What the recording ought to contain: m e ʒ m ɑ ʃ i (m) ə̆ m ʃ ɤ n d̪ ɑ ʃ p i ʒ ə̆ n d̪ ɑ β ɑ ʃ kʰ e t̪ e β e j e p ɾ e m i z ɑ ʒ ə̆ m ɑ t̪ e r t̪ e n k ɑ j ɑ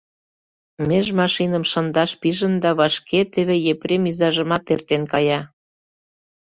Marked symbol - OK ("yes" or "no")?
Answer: no